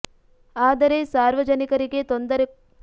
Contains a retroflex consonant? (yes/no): no